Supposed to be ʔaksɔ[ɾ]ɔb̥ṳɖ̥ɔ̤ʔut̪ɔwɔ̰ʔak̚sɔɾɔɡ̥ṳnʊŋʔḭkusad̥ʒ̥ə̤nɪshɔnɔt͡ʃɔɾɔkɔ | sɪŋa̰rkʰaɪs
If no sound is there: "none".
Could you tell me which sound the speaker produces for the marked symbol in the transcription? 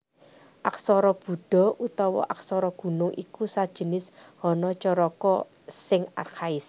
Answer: ɾ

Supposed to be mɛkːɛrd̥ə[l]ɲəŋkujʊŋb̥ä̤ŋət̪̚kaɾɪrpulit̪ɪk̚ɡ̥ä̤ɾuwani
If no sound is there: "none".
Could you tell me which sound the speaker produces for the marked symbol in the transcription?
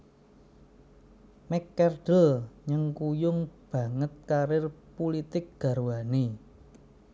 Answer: l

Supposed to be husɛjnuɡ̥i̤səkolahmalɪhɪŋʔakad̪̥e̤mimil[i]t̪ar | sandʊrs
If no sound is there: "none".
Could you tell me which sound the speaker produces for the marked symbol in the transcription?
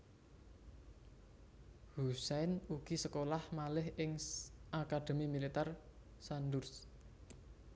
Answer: i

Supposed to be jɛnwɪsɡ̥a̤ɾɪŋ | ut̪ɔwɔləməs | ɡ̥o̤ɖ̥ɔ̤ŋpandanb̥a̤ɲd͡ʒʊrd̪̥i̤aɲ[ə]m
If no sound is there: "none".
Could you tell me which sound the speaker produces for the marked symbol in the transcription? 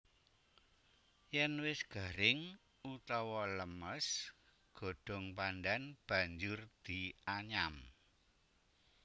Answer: a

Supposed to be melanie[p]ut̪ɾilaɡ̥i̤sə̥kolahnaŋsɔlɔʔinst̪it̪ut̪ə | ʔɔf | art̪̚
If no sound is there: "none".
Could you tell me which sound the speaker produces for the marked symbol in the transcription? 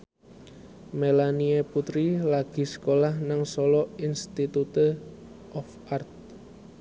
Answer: p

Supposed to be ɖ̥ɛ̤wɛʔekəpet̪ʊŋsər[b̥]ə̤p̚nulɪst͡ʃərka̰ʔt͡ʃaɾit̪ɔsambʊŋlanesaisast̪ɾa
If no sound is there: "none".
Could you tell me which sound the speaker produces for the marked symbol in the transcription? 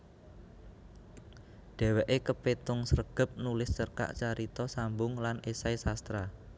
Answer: ɡ̥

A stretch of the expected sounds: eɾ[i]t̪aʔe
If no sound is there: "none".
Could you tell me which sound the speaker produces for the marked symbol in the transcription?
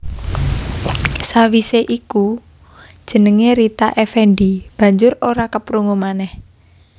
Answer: i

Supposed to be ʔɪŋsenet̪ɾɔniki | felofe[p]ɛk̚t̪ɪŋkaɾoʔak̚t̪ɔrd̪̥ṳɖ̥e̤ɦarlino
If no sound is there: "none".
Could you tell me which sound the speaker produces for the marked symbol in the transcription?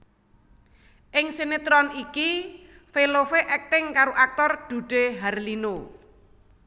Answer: ʔ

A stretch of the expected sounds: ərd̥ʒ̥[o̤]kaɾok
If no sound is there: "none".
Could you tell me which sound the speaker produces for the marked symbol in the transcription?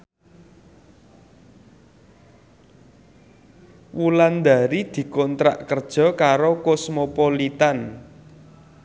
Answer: ɔ̤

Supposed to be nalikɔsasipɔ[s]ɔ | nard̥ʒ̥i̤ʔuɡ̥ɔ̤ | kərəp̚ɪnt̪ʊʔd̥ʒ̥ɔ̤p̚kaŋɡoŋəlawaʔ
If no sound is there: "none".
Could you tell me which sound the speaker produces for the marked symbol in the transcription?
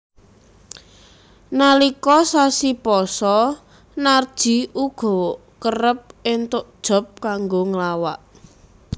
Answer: s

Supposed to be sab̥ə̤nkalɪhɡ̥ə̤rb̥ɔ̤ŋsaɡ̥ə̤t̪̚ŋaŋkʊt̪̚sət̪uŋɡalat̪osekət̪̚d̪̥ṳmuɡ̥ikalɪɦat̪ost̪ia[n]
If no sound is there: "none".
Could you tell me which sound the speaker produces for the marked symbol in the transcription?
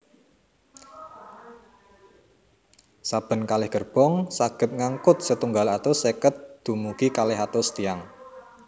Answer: ŋ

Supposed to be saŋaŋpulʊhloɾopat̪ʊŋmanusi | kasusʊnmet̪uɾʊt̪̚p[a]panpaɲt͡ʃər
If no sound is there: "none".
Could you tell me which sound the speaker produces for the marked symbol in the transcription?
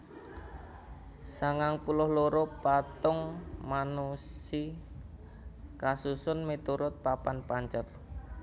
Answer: a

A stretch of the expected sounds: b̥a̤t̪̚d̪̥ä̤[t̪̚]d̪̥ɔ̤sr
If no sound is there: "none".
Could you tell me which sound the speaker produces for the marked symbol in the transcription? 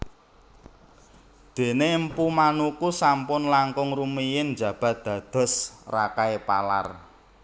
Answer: none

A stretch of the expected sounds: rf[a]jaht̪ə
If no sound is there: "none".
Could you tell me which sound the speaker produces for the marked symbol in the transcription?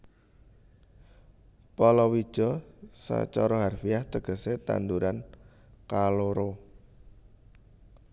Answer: i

